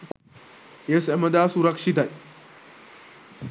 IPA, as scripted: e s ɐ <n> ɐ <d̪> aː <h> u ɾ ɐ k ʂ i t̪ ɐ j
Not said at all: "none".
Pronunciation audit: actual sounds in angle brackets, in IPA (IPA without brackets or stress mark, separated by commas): m, d̪, s